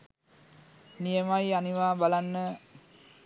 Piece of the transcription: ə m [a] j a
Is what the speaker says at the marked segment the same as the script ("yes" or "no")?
yes